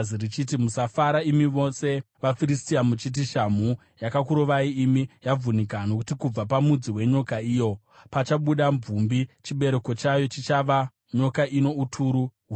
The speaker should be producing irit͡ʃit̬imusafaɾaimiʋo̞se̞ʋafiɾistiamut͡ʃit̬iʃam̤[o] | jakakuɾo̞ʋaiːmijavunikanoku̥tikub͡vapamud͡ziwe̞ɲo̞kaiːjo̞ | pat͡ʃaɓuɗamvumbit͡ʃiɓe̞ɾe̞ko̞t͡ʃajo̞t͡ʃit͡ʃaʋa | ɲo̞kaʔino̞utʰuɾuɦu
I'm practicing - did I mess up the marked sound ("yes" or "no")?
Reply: yes